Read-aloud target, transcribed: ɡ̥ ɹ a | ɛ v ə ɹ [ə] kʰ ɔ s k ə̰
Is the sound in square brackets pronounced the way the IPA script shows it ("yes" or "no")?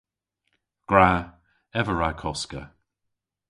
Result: no